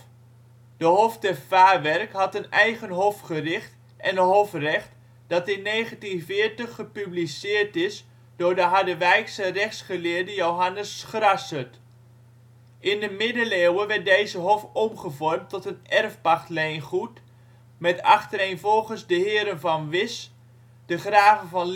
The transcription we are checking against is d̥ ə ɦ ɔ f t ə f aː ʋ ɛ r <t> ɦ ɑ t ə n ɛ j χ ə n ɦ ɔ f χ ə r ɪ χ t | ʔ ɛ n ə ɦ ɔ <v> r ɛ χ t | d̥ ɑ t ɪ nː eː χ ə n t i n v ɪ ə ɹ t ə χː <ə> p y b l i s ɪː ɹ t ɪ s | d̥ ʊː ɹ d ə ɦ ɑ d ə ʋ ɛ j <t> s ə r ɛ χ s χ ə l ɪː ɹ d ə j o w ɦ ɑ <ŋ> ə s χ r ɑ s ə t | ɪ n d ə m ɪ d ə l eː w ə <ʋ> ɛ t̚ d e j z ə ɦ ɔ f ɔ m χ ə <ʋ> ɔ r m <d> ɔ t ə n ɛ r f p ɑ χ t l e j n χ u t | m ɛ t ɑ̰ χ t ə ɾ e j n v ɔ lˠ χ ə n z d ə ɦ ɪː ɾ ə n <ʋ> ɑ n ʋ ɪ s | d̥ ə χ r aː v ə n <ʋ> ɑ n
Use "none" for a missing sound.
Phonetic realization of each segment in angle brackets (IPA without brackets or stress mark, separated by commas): k, f, ə, k, n, ʋ, v, t, v, v